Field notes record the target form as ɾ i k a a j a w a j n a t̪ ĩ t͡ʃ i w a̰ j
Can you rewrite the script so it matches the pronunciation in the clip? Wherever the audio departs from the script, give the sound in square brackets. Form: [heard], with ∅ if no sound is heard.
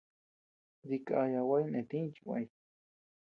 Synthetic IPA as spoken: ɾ i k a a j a w a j n [e] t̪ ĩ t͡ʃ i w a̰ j